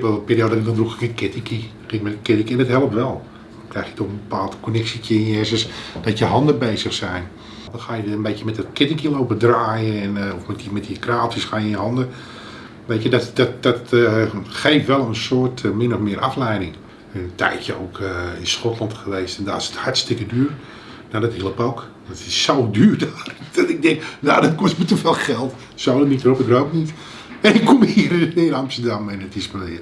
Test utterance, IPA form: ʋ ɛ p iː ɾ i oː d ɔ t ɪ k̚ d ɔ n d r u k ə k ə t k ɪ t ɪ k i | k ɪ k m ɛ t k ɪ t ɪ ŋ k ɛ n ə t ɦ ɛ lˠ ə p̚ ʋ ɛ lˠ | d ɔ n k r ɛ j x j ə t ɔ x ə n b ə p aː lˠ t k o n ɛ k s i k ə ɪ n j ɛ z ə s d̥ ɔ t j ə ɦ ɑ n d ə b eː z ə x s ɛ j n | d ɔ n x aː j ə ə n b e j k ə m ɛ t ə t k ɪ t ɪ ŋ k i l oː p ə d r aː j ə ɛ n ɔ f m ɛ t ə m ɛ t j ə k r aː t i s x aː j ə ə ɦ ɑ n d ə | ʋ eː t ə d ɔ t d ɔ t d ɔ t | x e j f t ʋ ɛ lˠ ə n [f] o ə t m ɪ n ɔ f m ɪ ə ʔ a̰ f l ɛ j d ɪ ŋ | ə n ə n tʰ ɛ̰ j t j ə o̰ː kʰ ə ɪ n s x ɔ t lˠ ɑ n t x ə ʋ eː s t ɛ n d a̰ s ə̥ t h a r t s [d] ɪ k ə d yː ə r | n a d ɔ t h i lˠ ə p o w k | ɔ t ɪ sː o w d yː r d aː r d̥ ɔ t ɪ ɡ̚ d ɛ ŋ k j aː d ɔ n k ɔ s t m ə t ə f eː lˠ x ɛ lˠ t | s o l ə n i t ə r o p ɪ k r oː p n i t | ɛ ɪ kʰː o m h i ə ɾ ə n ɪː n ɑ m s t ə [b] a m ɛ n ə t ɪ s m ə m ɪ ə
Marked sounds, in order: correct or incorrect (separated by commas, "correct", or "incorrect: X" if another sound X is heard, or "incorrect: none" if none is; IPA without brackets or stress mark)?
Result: incorrect: s, incorrect: t, incorrect: d